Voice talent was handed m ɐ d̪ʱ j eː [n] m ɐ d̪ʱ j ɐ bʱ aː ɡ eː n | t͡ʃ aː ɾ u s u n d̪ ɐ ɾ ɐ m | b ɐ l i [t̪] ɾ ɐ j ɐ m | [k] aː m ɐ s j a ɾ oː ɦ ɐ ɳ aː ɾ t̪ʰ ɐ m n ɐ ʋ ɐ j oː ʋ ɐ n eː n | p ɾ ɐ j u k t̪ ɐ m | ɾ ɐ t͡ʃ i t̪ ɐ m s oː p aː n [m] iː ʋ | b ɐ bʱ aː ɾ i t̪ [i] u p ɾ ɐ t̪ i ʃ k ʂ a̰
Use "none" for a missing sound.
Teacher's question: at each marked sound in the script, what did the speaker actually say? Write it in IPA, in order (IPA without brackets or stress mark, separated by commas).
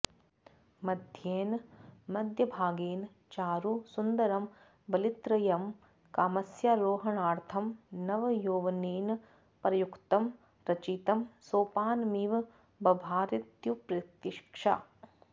n, t̪, k, m, j